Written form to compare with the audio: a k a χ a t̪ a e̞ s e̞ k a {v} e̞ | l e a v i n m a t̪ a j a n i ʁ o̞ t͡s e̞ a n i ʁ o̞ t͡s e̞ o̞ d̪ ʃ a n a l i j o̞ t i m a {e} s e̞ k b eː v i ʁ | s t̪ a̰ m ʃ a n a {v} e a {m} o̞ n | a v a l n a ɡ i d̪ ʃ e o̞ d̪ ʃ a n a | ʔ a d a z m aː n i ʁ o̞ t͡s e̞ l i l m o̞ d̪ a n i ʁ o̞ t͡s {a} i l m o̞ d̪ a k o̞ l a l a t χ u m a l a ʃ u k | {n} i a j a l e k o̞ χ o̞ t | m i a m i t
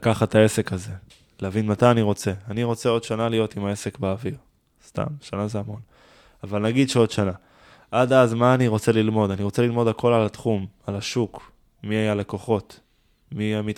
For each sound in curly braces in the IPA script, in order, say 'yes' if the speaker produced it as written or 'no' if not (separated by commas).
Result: no, yes, no, yes, no, no